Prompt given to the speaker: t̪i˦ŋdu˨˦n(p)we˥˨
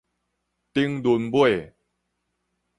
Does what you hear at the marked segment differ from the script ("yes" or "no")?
yes